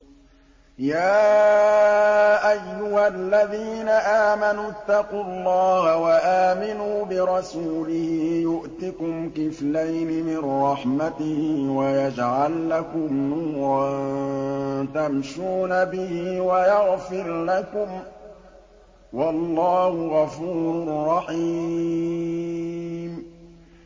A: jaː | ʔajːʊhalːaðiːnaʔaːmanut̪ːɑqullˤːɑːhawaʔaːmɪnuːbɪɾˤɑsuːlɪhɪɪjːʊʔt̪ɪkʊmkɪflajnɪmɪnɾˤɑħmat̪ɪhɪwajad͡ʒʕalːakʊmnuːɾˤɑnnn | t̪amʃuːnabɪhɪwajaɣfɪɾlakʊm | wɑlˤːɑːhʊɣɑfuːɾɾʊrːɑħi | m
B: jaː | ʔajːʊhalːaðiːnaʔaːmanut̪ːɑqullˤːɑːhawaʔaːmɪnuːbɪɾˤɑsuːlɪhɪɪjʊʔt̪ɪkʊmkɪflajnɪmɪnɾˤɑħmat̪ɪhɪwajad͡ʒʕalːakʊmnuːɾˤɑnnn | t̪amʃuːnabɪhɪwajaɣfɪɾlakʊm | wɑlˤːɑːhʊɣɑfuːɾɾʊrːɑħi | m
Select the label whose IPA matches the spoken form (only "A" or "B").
B